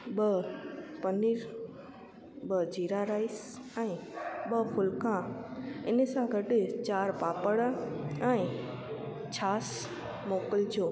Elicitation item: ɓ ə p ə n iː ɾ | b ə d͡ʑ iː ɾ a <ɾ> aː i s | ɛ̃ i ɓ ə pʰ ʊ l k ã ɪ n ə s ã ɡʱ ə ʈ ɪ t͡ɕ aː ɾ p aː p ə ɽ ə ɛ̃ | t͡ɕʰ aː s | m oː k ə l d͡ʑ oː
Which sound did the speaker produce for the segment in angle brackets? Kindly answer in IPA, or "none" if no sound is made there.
ɾ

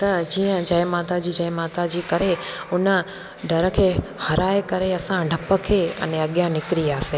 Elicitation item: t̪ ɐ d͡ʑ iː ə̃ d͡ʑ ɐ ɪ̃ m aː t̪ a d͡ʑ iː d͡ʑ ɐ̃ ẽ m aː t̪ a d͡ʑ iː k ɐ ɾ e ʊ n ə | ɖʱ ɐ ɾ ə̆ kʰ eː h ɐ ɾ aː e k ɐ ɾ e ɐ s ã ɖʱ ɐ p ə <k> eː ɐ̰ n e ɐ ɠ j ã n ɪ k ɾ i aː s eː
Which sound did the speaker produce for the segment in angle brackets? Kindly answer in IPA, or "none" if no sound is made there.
kʰ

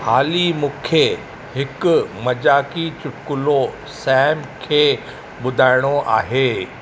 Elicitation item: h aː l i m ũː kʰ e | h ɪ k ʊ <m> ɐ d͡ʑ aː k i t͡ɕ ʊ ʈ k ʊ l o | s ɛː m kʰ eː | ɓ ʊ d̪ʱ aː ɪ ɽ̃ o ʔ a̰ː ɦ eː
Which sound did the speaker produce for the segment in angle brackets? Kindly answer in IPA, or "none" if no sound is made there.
m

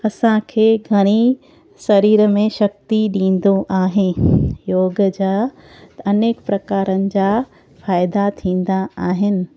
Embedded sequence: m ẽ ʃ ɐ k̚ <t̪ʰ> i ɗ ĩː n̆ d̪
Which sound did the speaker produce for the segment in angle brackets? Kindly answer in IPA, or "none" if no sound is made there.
t̪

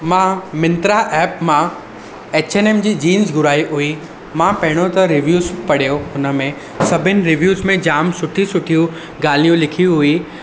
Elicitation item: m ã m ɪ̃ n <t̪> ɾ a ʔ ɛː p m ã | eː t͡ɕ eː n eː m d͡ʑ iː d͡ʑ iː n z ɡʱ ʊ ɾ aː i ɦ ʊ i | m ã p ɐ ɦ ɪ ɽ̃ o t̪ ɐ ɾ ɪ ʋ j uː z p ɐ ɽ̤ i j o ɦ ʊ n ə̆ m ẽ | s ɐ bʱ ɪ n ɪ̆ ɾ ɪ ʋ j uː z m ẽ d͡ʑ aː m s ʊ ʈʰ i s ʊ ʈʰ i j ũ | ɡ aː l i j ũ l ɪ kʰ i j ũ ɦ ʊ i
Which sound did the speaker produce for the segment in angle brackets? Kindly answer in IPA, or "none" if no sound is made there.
t̪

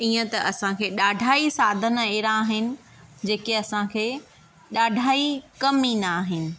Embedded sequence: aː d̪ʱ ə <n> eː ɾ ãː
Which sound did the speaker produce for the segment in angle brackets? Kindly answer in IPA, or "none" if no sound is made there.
n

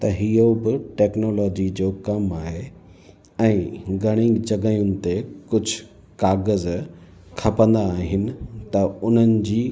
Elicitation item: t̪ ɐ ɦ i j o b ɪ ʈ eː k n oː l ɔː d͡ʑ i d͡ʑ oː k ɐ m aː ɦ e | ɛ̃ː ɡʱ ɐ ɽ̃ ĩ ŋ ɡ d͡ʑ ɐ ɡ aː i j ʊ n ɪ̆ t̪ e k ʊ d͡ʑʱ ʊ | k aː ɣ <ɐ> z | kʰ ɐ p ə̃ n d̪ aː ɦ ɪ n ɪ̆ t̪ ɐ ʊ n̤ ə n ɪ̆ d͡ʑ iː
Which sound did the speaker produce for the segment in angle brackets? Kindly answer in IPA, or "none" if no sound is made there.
ə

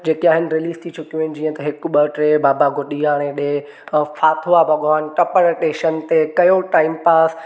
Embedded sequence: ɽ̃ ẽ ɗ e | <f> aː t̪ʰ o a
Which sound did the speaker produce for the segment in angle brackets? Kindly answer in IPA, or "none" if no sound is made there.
f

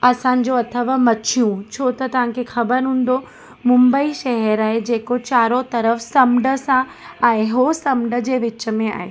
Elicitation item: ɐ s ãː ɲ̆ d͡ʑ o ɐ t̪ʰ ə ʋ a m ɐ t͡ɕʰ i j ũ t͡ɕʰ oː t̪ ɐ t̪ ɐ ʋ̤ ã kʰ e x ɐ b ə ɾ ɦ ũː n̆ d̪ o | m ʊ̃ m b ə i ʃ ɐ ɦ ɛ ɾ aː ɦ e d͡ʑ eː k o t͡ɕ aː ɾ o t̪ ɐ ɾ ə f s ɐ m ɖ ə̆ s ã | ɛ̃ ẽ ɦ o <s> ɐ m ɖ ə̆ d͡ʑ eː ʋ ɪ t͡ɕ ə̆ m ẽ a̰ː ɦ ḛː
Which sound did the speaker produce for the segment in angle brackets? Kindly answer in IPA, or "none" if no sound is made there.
s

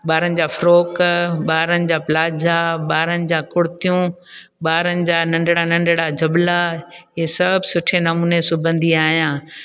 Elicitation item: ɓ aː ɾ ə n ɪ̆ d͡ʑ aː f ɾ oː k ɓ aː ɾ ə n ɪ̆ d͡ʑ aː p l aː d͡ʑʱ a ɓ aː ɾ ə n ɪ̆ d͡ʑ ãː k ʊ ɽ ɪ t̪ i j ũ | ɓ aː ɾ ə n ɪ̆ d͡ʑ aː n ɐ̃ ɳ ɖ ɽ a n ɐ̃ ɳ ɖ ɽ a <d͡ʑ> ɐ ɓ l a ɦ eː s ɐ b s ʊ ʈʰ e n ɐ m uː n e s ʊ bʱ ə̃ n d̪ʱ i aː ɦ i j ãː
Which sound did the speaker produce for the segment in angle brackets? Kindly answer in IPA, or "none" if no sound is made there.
d͡ʑ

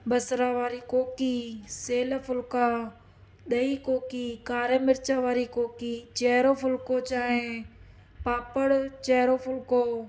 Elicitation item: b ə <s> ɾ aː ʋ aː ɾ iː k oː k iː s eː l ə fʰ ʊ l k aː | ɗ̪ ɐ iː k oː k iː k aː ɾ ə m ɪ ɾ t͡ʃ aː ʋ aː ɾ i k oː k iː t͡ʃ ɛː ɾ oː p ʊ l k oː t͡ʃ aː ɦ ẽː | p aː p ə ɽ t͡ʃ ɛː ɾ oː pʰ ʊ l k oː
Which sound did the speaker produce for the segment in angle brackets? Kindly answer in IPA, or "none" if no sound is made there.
s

